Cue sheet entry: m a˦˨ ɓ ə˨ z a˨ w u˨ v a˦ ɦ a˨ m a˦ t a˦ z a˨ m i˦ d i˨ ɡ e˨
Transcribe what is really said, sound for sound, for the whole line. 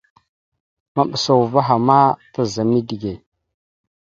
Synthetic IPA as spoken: m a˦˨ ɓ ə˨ s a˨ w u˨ v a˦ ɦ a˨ m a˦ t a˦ z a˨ m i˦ d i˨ ɡ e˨